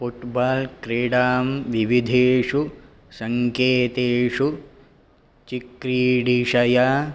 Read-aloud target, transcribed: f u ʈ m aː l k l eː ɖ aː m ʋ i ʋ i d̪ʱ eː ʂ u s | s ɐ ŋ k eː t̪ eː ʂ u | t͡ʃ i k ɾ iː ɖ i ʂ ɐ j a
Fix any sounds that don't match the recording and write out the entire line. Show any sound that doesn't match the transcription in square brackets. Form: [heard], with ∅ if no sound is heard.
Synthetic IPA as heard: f u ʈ [b] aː l k [ɾ] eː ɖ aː m ʋ i ʋ i d̪ʱ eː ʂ u [∅] | s ɐ ŋ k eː t̪ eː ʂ u | t͡ʃ i k ɾ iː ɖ i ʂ ɐ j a